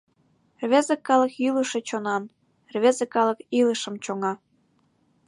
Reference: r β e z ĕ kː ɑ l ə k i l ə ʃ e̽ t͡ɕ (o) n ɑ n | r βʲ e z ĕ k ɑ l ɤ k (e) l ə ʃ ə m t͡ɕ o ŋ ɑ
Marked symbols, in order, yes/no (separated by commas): yes, no